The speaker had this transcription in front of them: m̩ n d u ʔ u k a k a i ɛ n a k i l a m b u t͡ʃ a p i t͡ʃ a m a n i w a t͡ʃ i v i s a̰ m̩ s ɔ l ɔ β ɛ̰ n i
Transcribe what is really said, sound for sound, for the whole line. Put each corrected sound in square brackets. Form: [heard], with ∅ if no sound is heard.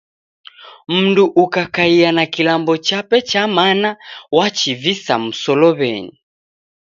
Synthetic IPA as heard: m̩ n d u ʔ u k a k a i [a] n a k i l a m b [ɔ] t͡ʃ a p [ɛ] t͡ʃ a m a n [a] w a t͡ʃ i v i s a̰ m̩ s ɔ l ɔ β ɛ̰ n i